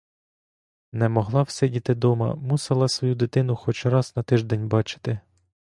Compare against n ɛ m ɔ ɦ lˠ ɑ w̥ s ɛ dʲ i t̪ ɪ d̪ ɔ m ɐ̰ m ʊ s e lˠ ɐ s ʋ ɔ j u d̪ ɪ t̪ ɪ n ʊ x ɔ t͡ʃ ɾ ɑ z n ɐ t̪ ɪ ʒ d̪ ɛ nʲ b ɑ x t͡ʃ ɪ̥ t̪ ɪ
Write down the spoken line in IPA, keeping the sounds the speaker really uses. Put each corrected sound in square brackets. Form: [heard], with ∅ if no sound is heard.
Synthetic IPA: n ɛ m ɔ ɦ lˠ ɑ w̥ s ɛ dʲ i t̪ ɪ d̪ ɔ m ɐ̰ m [u] s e lˠ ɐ s ʋ ɔ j u d̪ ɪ t̪ ɪ n ʊ x ɔ t͡ʃ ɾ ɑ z n ɐ t̪ ɪ ʒ d̪ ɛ nʲ b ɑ [∅] t͡ʃ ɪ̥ t̪ ɪ